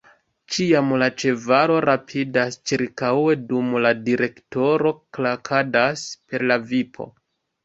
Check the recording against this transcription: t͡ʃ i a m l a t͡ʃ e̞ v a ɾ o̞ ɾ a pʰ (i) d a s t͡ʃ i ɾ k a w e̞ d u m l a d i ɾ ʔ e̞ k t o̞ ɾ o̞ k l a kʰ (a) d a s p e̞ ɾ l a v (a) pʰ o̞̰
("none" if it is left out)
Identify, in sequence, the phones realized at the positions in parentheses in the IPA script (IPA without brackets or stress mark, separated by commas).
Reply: i, a, i